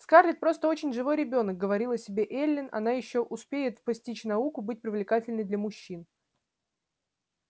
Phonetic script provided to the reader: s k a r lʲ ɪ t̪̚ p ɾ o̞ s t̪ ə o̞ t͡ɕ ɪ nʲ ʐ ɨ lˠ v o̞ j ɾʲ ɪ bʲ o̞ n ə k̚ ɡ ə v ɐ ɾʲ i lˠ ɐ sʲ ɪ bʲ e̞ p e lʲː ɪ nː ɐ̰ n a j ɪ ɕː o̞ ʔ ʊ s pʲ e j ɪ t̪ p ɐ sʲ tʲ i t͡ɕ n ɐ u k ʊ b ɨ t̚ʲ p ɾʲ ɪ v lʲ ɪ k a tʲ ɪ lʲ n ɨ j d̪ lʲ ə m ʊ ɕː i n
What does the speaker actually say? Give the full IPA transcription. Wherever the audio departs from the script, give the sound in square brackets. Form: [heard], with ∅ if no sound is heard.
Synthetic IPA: s k a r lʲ ɪ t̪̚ p ɾ o̞ s t̪ ə o̞ t͡ɕ ɪ nʲ ʐ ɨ [∅] v o̞ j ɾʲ ɪ bʲ o̞ n ə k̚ ɡ ə v ɐ ɾʲ i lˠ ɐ sʲ ɪ bʲ e̞ [ʔ] e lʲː ɪ [n] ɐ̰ n a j ɪ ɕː o̞ ʔ ʊ s pʲ e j ɪ t̪ p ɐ sʲ tʲ i t͡ɕ n ɐ u k ʊ b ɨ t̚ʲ p ɾʲ ɪ v lʲ ɪ k a tʲ ɪ lʲ n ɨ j d̪ lʲ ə m ʊ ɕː i n